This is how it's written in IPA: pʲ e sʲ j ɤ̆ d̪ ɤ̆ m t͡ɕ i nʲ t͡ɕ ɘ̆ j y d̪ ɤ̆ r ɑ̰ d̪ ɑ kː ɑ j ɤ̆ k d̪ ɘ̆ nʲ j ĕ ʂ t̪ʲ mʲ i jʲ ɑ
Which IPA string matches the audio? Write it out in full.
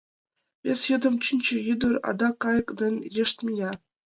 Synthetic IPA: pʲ e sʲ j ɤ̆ d̪ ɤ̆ m t͡ɕ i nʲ t͡ɕ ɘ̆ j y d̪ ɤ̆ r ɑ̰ d̪ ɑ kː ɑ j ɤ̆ k d̪ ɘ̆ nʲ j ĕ ʂ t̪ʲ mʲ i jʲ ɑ